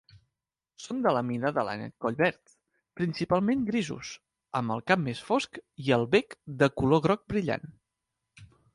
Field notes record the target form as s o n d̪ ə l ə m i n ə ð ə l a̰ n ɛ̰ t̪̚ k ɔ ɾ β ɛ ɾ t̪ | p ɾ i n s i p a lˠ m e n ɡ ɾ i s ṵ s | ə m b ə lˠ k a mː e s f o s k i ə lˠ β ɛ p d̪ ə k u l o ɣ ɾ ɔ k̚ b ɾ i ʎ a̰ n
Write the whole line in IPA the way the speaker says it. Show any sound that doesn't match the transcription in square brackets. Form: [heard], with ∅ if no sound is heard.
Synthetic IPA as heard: s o n d̪ ə l ə m i n ə ð ə l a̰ n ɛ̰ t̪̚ k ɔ [ʎ] β ɛ ɾ t̪ | p ɾ i n s i p a lˠ m e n ɡ ɾ i [z] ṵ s | ə m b ə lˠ k a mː e s f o s k i ə lˠ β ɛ [k] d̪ ə k u l o ɣ ɾ ɔ k̚ b ɾ i ʎ a̰ n